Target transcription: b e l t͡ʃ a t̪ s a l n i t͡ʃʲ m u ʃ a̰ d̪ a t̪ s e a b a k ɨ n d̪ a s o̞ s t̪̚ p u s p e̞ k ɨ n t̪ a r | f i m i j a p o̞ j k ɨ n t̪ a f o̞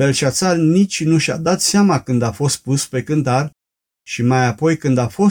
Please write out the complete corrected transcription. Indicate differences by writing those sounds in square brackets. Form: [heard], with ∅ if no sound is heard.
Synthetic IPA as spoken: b e l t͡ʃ a t̪ s a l n i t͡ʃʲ [n] u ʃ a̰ d̪ a t̪ s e a [m] a k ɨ n d̪ a [f] o̞ s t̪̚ p u s p e̞ k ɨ n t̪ a r | [ʃ] i m [a] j a p o̞ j k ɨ n [d̪] a f o̞